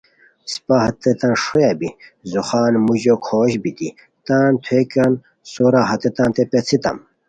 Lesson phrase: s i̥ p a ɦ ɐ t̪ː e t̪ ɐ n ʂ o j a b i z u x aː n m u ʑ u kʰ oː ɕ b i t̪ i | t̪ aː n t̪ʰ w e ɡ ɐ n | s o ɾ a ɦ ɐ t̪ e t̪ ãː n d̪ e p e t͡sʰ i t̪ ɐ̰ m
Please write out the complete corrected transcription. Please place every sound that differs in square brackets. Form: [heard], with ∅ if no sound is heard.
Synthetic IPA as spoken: s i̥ p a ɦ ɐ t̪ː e t̪ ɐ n ʂ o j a b i z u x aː n m u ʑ [o] kʰ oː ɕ b i t̪ i | t̪ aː n t̪ʰ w e [k] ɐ n | s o ɾ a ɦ ɐ t̪ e t̪ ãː n [t̪] e p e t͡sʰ i t̪ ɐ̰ m